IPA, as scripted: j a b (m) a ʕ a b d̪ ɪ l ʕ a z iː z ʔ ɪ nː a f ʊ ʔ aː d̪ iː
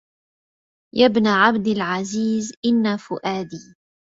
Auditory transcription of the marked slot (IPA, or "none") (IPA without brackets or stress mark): n